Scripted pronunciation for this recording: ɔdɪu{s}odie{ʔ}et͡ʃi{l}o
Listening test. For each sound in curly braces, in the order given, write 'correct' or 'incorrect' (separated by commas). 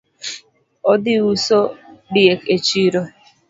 correct, incorrect, incorrect